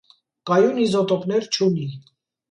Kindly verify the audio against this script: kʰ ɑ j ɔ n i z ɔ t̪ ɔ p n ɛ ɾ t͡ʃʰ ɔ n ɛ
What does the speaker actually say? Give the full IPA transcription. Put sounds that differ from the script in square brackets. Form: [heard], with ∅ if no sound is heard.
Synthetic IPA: [k] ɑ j [u] n i z ɔ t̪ ɔ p n ɛ ɾ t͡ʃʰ [u] n [i]

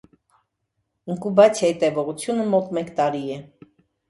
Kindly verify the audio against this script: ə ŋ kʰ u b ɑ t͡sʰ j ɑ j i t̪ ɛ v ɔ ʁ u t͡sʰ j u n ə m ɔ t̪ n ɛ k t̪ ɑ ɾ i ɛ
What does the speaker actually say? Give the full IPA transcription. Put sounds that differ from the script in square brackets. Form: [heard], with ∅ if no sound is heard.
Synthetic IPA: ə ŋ [k] u b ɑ t͡sʰ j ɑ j i t̪ ɛ v ɔ ʁ u t͡sʰ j u n ə m ɔ t̪ [m] ɛ k t̪ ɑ ɾ i ɛ

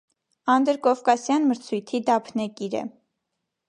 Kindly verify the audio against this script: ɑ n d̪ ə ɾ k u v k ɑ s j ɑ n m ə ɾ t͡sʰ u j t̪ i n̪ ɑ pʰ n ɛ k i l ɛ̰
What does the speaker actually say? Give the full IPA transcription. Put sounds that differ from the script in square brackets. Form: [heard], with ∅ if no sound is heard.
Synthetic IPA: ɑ n d̪ ə ɾ k [ɔ] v k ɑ s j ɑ n m ə ɾ t͡sʰ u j [t̪ʰ] i [d̪] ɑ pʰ n ɛ k i [ɾ] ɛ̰

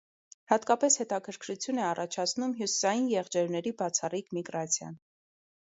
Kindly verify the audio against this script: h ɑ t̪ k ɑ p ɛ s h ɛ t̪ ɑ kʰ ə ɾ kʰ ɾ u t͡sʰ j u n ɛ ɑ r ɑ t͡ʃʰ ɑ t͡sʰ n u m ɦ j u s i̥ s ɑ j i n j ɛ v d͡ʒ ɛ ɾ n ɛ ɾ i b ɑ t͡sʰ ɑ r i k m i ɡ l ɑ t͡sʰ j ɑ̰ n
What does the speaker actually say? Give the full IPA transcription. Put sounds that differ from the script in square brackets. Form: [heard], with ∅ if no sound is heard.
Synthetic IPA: h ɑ t̪ k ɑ p ɛ s h ɛ t̪ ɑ kʰ ə ɾ kʰ ɾ u t͡sʰ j u n ɛ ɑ r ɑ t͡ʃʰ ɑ t͡sʰ n u m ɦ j u s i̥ s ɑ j i n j ɛ [ʁ] d͡ʒ ɛ ɾ n ɛ ɾ i b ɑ t͡sʰ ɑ r i k m i ɡ [ɾ] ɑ t͡sʰ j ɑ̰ n

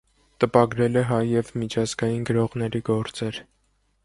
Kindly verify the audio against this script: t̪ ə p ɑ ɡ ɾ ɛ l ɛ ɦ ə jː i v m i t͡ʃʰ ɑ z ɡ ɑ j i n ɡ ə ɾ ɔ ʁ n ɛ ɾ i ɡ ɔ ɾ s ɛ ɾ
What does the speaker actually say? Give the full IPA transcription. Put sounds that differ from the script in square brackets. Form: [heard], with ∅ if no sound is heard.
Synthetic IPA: t̪ ə p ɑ ɡ ɾ ɛ l ɛ ɦ [ɑ] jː [ɛ] v m i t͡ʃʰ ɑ z ɡ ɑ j i n ɡ ə ɾ ɔ ʁ n ɛ ɾ i ɡ ɔ ɾ [t͡s] ɛ ɾ

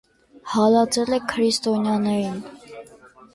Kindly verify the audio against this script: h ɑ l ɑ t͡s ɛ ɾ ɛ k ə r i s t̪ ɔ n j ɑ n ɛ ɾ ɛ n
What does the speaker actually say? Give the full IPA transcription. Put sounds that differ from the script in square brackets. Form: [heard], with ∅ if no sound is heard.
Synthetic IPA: h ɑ l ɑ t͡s ɛ [l] ɛ [kʰ] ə [ɾ] i s t̪ ɔ n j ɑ n ɛ ɾ [i] n

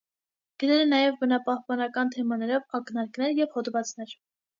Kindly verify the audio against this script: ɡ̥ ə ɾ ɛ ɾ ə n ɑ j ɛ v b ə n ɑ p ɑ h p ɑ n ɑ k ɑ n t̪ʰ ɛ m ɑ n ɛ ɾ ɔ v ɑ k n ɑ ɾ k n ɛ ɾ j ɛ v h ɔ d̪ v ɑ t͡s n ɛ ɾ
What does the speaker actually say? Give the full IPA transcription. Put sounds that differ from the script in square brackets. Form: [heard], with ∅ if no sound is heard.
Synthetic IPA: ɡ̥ ə ɾ ɛ ɾ ə n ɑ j ɛ v b ə n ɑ p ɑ h p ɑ n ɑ k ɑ n t̪ʰ ɛ m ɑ n ɛ ɾ ɔ v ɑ k n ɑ ɾ k n ɛ ɾ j ɛ v h ɔ d̪ v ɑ t͡s n ɛ ɾ

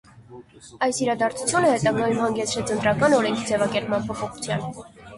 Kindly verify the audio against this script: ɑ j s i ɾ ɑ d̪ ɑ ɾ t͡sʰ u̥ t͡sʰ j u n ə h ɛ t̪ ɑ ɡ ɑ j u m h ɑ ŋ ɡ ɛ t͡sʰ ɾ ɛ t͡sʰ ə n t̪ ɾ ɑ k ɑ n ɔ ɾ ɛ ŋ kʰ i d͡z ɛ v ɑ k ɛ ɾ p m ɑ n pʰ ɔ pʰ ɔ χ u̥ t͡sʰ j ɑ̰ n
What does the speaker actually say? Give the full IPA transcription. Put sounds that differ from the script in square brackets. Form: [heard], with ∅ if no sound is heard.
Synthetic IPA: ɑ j s i ɾ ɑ d̪ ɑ ɾ t͡sʰ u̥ t͡sʰ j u n ə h ɛ t̪ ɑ ɡ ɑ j u m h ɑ ŋ ɡ ɛ t͡sʰ ɾ ɛ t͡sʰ ə n t̪ ɾ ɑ k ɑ n ɔ ɾ ɛ ŋ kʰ i d͡z ɛ v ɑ k ɛ ɾ p m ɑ n pʰ ɔ pʰ ɔ χ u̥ t͡sʰ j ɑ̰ n

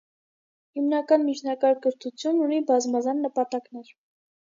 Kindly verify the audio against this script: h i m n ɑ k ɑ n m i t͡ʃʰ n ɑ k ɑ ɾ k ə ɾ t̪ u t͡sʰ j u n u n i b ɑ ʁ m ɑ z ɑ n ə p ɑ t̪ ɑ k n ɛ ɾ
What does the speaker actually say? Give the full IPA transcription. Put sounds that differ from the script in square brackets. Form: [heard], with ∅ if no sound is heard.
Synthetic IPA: h i m n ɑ k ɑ n m i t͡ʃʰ n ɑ k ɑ ɾ k ə ɾ [t̪ʰ] u t͡sʰ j u n u n i b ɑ [z] m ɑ z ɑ [nː] ə p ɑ t̪ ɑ k n ɛ ɾ

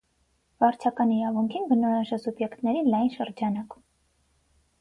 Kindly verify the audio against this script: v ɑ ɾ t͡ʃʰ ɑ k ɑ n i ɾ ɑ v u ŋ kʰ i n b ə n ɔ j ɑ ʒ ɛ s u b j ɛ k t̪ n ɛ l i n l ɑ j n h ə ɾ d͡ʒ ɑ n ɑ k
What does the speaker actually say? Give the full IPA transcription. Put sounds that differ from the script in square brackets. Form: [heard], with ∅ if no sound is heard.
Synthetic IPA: v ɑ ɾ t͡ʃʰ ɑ k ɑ n i ɾ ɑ v u ŋ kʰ i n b ə n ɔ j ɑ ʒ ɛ s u b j ɛ k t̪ n ɛ [ɾ] i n l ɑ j n [ʃ] ə ɾ d͡ʒ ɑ n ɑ k

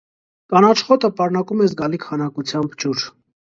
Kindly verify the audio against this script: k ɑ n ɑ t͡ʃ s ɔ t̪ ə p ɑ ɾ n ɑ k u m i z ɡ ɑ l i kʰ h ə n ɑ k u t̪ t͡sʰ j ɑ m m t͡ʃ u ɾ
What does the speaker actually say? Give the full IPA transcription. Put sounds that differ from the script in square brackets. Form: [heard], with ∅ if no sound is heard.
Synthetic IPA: k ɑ n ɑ t͡ʃ [χ] ɔ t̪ ə p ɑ ɾ n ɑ k u m [ɛ] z ɡ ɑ l i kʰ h [ɑ] n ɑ k u [∅] t͡sʰ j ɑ m [b] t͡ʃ u ɾ

